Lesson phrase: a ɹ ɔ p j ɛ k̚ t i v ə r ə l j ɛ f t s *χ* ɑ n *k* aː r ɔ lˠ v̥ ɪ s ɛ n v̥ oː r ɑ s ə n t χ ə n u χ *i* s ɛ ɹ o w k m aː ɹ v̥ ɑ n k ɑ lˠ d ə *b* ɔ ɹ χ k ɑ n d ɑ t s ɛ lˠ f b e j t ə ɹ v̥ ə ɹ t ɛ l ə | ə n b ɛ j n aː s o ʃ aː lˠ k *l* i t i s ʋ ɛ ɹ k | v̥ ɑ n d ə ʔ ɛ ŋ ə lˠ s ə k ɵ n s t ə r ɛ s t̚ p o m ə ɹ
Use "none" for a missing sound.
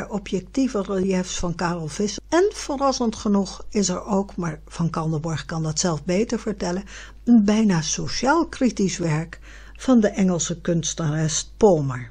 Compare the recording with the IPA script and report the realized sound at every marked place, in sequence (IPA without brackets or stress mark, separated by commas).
f, k, ɪ, b, r